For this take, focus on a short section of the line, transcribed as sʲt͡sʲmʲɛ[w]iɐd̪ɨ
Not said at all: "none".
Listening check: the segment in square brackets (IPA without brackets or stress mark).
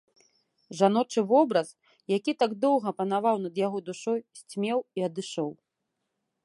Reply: w